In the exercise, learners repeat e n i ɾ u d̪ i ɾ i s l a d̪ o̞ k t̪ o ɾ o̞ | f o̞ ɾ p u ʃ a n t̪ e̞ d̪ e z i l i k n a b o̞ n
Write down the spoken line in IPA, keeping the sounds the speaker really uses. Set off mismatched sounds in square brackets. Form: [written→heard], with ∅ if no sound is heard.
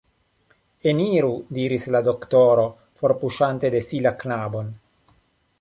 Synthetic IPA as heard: e n i ɾ u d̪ i ɾ i s l a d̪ o̞ k t̪ o ɾ o̞ | f o̞ ɾ p u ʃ a n t̪ e̞ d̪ e [z→s] i l [i→a] k n a b o̞ n